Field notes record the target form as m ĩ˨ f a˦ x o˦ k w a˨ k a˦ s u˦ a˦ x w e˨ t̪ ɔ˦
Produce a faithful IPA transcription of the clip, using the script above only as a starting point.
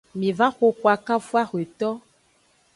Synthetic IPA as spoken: m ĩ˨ v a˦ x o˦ k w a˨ k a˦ f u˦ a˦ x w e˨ t̪ ɔ˦